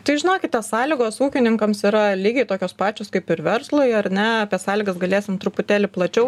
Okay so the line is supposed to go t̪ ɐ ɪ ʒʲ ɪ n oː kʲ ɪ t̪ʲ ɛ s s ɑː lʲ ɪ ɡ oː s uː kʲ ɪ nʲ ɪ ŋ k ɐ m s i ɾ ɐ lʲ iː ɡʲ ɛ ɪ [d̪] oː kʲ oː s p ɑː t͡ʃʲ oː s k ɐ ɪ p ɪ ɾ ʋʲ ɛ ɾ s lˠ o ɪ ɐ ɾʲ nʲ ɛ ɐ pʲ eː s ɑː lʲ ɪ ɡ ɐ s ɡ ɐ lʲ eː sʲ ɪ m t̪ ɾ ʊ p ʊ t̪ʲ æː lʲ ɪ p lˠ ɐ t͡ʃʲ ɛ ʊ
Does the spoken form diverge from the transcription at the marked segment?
yes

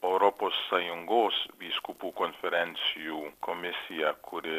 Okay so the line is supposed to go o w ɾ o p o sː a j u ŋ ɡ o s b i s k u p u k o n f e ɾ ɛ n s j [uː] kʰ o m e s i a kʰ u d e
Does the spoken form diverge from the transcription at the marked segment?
yes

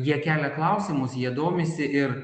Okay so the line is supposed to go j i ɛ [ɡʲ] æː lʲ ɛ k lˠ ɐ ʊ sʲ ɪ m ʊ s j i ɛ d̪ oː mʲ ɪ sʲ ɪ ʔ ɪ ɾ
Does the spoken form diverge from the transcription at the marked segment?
yes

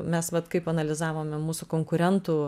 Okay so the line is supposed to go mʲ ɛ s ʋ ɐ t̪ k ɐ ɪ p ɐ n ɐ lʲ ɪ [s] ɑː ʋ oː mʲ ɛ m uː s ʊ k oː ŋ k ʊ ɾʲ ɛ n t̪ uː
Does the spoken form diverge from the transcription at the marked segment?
yes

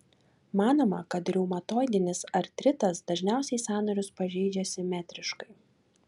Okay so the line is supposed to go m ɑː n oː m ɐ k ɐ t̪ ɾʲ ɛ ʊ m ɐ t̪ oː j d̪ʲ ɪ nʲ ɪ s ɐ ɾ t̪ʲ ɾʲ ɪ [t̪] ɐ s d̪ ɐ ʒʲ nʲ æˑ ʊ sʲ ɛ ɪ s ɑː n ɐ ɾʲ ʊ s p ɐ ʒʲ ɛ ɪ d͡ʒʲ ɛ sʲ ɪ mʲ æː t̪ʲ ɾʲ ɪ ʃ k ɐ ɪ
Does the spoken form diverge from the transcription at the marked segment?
no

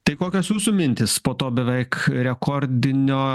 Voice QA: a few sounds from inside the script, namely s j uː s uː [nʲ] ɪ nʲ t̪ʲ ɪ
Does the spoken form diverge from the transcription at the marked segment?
yes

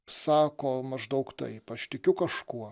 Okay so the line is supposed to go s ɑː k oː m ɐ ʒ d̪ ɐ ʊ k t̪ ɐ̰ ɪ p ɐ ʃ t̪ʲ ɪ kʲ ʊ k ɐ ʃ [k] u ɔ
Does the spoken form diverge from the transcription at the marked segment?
no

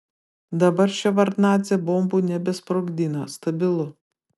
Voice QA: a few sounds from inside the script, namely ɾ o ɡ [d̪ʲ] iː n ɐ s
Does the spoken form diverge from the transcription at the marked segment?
no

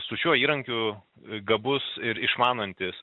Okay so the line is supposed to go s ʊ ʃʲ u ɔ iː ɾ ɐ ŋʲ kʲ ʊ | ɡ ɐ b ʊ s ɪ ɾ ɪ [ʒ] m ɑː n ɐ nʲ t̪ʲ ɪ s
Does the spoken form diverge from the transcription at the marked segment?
yes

